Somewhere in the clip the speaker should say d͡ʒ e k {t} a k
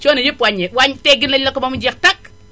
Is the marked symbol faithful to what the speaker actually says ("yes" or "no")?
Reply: yes